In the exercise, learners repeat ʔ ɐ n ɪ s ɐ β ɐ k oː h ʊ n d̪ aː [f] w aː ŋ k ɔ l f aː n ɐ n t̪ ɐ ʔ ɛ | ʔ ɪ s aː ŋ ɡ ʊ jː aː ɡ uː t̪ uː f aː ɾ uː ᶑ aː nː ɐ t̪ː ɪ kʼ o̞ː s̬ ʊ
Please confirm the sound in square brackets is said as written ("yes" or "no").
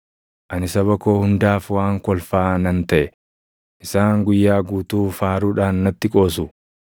yes